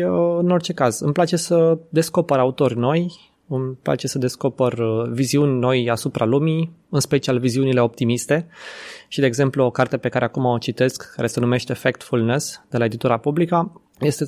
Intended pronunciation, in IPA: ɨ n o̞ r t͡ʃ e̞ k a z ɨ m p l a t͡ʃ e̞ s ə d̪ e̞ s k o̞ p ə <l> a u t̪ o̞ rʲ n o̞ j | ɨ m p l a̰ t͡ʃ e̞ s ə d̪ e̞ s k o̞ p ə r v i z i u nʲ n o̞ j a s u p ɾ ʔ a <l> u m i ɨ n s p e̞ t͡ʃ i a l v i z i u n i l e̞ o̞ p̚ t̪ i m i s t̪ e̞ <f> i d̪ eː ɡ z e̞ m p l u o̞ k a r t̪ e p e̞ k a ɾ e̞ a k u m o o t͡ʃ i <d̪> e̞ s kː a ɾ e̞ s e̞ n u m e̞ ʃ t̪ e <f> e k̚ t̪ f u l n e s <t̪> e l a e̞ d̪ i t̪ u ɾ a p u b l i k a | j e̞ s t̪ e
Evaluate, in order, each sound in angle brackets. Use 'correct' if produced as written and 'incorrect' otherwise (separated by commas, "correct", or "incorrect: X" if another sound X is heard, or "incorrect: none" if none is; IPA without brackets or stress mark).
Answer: incorrect: ɾ, correct, incorrect: ʃ, incorrect: t̪, correct, incorrect: d̪